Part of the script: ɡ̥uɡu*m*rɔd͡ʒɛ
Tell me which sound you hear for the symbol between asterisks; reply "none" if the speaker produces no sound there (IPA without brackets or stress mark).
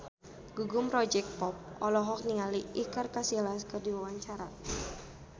m